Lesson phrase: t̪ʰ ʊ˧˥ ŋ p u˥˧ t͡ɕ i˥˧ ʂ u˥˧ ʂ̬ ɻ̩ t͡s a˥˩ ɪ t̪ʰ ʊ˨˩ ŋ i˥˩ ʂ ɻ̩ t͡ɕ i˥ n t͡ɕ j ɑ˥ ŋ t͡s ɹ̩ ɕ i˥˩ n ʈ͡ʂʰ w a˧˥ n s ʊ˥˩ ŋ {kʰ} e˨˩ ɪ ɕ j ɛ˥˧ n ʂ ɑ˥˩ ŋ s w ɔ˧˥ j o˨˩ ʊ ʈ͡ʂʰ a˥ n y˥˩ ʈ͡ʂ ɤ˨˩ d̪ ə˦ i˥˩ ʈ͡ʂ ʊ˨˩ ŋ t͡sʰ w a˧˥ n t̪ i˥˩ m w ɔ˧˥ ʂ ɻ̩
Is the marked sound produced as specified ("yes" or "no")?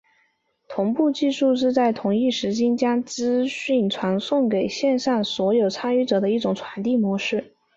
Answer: no